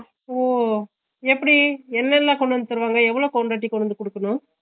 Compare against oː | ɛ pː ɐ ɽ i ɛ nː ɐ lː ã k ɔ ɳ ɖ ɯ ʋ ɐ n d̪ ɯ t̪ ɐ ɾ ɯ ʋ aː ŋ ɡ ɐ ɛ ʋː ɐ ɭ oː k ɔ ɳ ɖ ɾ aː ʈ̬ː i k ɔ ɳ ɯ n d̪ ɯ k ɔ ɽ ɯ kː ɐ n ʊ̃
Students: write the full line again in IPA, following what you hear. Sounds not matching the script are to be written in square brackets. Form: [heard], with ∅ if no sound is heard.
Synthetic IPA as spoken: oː | ɛ pː ɐ ɽ i ɛ nː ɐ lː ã k ɔ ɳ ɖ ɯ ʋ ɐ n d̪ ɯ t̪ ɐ ɾ ɯ ʋ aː ŋ ɡ ɐ ɛ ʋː ɐ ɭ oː k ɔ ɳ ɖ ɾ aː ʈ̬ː i k ɔ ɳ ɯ n d̪ ɯ k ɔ ɽ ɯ kː ɐ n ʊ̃